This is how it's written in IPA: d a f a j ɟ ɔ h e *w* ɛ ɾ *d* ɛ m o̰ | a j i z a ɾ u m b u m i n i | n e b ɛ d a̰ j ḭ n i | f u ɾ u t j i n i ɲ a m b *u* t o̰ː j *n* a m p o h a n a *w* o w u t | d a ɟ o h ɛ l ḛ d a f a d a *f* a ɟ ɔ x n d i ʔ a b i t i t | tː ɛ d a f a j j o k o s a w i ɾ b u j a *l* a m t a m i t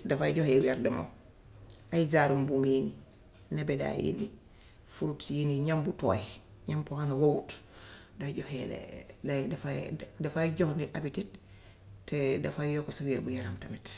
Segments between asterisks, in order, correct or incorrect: correct, correct, correct, incorrect: ɲ, correct, correct, incorrect: ɾ

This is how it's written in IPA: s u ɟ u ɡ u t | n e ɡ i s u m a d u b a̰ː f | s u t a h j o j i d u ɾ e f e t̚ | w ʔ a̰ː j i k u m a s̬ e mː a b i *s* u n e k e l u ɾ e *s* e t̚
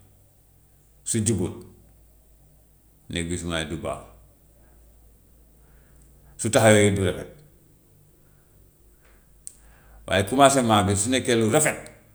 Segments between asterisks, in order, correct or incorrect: correct, incorrect: f

